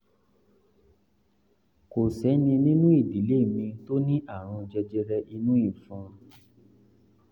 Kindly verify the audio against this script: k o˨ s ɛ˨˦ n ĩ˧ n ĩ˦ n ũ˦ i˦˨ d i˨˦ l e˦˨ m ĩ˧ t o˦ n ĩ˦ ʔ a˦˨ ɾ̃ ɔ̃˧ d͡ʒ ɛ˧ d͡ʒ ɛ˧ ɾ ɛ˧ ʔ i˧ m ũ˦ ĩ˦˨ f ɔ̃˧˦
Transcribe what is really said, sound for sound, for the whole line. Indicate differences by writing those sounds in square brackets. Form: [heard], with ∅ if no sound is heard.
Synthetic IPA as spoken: k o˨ s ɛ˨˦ n ĩ˧ n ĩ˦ n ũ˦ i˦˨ d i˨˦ l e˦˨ m ĩ˧ t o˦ n ĩ˦ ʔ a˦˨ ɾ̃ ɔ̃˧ d͡ʒ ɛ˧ d͡ʒ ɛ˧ ɾ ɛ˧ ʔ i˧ [n] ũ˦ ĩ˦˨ f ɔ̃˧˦

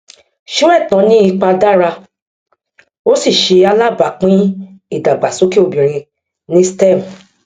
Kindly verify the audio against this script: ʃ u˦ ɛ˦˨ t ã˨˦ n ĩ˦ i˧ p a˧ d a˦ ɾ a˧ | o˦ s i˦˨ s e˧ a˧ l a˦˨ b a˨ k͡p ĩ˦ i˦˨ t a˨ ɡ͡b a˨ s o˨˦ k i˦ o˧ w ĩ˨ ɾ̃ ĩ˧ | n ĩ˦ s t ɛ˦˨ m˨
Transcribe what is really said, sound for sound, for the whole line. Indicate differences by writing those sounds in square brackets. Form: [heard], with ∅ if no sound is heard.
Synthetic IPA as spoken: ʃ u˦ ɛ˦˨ t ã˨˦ n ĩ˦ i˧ [k͡p] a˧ d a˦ ɾ a˧ | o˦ s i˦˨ [ʃ] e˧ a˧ l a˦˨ b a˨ k͡p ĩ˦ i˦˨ [d] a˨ ɡ͡b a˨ s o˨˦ k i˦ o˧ [b] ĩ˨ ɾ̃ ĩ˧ | n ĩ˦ s t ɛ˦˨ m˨

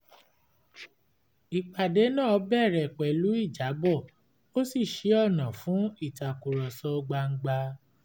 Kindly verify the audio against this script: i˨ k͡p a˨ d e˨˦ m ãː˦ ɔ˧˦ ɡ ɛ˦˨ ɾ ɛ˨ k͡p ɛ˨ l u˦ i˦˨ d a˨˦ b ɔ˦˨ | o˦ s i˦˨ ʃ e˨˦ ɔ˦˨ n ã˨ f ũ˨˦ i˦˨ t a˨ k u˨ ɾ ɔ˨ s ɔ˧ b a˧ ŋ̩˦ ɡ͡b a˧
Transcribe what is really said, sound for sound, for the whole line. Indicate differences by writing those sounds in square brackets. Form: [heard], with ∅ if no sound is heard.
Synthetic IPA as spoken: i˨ k͡p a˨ d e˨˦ [n] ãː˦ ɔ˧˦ [b] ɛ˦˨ ɾ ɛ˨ k͡p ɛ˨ l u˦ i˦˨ [d͡ʒ] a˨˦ b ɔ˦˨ | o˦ s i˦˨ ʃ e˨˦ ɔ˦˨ n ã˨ f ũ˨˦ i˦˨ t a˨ k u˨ ɾ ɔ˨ s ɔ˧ [ɡ͡b] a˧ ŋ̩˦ ɡ͡b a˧

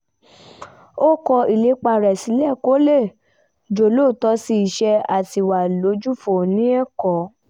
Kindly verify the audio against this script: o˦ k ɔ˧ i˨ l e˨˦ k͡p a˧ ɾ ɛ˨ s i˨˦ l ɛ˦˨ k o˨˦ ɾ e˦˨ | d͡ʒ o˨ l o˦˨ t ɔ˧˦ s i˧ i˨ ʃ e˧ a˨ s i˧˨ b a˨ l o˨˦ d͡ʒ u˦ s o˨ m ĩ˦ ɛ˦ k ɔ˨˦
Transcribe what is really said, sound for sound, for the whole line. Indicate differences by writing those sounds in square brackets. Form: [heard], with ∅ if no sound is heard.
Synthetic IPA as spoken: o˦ k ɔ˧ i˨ l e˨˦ k͡p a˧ ɾ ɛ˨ s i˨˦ l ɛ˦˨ k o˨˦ [l] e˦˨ | d͡ʒ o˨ l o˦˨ t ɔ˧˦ s i˧ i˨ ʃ [ɛ˧] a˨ [t] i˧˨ [w] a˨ l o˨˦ d͡ʒ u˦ [f] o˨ [n] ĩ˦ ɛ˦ k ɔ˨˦

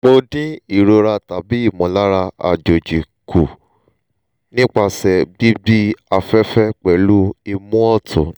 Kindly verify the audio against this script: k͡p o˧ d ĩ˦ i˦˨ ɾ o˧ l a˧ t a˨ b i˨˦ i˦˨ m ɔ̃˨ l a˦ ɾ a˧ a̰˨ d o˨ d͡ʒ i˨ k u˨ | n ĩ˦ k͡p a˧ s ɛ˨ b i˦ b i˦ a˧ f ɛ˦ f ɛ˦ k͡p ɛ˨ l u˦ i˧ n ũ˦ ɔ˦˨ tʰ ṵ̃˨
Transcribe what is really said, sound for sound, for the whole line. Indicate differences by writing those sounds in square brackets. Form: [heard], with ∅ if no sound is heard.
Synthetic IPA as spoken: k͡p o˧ d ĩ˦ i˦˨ ɾ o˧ [ɾ] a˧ t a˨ b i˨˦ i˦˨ m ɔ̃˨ l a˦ ɾ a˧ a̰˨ [d͡ʒ] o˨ d͡ʒ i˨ k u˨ | n ĩ˦ k͡p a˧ s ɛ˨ b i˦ b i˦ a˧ f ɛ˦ f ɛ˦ k͡p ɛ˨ l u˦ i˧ [m] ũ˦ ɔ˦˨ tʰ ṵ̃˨

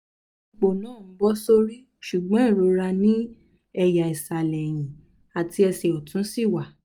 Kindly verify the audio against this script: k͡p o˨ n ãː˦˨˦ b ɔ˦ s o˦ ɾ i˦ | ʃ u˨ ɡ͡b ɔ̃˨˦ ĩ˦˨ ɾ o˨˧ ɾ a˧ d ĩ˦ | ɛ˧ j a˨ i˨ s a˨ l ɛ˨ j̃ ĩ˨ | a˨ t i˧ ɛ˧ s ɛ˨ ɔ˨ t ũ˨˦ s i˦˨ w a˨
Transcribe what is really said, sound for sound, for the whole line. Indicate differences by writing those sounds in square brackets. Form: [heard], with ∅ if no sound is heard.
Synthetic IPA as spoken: k͡p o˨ n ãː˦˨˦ b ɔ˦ s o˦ ɾ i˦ | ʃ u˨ ɡ͡b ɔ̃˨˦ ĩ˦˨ ɾ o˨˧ ɾ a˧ [n] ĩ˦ | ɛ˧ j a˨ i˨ s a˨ l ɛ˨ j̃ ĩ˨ | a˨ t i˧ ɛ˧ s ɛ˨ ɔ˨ t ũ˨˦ s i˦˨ w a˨

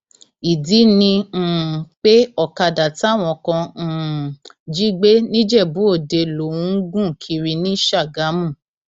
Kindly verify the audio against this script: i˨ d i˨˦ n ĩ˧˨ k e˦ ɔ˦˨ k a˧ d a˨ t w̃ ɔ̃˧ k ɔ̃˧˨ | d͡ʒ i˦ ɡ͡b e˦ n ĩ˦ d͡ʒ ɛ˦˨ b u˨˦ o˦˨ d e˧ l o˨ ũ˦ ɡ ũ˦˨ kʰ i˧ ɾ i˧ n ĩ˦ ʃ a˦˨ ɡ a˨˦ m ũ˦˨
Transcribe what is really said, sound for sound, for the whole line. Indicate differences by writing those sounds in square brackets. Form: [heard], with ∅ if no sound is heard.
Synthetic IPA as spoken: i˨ d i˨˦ n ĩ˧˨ [k͡p] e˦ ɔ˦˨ k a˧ d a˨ t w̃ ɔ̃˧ k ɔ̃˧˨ | d͡ʒ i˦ ɡ͡b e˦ n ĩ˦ d͡ʒ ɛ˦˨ b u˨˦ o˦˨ d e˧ l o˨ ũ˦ ɡ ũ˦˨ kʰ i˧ ɾ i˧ n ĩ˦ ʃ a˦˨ ɡ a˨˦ m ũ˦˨

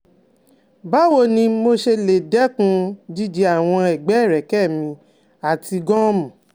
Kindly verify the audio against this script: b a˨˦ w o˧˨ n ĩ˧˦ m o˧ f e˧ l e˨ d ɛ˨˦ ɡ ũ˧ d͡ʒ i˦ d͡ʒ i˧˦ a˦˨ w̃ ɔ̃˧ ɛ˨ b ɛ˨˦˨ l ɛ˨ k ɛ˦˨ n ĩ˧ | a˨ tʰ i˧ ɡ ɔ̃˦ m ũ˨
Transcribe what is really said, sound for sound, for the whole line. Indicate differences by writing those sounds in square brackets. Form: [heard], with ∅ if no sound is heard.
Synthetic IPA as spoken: b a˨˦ w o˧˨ n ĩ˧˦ m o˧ [ʃ] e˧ l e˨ d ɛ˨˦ [k] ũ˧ d͡ʒ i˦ d͡ʒ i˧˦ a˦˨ w̃ ɔ̃˧ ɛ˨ [ɡ͡b] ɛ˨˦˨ [ɾ] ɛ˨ k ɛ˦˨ [m] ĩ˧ | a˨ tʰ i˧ ɡ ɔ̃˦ m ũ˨

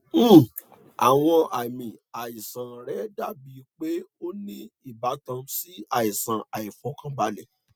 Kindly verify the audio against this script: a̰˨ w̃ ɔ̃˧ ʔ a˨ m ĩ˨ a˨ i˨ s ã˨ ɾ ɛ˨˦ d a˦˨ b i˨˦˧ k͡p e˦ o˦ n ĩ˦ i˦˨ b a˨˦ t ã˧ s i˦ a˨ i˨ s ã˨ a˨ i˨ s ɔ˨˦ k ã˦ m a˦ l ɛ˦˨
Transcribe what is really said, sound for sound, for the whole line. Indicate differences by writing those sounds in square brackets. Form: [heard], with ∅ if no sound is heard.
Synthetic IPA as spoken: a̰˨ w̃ ɔ̃˧ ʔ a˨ m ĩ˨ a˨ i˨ s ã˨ ɾ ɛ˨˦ d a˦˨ b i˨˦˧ k͡p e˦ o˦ n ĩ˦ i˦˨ b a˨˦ t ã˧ s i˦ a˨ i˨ s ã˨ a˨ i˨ [f] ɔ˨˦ k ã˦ [b] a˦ l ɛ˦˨

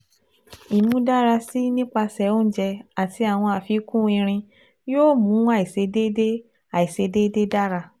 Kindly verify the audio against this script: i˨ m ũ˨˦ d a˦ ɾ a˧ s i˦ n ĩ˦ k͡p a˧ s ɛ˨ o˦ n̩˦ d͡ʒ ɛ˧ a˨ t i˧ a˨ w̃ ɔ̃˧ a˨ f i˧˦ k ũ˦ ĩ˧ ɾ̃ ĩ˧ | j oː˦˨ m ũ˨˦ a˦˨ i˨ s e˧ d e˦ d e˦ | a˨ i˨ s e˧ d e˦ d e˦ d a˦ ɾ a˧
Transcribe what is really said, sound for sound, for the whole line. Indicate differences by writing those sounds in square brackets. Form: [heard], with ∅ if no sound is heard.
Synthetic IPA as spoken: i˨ m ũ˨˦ d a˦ ɾ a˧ s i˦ n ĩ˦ k͡p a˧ s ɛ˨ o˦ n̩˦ d͡ʒ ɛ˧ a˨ t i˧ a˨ w̃ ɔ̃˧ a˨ f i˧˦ k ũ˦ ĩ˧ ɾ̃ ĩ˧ | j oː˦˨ m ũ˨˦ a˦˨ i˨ s e˧ d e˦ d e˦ | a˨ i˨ s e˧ d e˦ d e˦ d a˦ ɾ a˧

